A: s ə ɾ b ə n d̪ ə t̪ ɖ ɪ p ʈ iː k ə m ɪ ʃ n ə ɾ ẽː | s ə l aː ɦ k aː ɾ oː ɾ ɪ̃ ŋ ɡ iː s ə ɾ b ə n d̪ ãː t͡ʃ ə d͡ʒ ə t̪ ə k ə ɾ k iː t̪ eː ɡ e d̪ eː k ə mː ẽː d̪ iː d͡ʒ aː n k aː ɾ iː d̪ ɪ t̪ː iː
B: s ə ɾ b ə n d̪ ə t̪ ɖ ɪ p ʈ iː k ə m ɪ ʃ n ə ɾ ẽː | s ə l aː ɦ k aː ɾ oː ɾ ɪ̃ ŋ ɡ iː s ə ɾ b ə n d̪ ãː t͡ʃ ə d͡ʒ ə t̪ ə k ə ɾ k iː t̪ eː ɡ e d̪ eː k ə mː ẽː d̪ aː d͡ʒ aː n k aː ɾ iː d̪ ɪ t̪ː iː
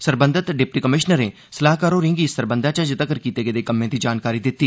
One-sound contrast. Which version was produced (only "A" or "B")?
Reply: A